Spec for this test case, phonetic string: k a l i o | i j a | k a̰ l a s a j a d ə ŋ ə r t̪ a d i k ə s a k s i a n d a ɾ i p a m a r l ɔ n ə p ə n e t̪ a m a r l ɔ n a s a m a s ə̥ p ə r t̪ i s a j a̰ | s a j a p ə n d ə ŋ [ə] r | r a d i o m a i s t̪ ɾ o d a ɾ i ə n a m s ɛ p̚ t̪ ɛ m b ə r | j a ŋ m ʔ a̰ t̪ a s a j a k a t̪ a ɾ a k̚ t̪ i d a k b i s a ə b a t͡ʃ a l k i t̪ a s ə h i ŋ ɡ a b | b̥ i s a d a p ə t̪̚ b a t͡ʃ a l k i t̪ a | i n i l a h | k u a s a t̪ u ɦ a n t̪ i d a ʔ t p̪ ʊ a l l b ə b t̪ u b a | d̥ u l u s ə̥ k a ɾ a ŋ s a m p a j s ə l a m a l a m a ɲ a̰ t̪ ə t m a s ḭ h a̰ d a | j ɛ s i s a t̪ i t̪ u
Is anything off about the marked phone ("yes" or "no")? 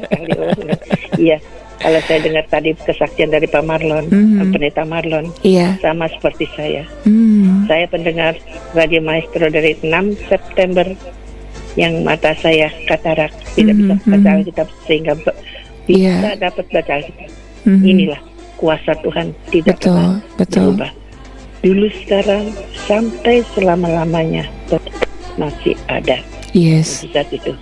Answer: yes